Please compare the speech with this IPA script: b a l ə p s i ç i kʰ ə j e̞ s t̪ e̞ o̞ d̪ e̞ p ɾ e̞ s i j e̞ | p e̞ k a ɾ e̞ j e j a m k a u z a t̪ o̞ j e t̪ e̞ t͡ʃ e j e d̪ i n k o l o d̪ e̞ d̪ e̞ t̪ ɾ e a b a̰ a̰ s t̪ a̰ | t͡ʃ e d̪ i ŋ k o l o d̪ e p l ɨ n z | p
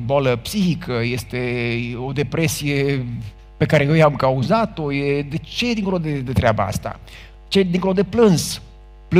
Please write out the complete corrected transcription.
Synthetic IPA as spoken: b a l ə p s i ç i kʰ ə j e̞ s t̪ e̞ o̞ d̪ e̞ p ɾ e̞ s i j e̞ | p e̞ k a ɾ e̞ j e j a m k a u z a t̪ o̞ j e d̪ e̞ t͡ʃ e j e d̪ i ŋ k o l o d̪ e̞ d̪ e̞ t̪ ɾ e a b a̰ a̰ s t̪ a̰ | t͡ʃ e d̪ i ŋ k o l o d̪ e p l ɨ n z | p